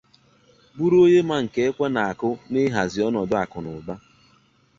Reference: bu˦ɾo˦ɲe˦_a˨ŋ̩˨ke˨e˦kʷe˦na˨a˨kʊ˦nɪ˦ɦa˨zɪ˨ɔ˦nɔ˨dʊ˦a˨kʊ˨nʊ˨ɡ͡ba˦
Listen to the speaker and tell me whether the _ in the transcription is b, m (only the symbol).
m